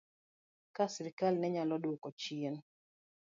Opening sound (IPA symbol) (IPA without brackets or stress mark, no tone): k